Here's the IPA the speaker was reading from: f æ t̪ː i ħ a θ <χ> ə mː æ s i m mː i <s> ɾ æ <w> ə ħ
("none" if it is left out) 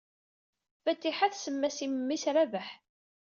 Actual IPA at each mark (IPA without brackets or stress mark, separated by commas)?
s, s, v